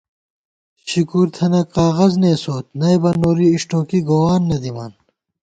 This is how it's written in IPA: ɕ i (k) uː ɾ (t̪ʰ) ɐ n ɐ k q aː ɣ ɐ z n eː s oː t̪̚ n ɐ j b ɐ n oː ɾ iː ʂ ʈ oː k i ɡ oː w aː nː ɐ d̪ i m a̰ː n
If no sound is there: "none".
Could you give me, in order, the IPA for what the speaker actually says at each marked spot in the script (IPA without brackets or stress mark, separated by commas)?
k, t̪ʰ